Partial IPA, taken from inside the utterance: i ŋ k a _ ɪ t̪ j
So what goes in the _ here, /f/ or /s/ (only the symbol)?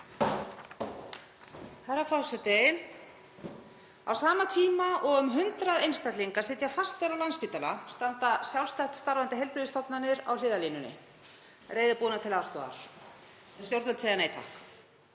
s